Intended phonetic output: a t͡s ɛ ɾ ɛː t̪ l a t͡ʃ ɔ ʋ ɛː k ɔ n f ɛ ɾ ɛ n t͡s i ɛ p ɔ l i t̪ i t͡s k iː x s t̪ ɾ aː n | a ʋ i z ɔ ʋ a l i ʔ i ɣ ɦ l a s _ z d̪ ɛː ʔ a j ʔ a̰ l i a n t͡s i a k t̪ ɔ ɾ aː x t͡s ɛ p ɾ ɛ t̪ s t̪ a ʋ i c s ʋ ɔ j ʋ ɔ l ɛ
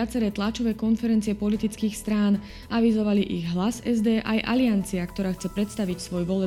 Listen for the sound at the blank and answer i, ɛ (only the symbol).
ɛ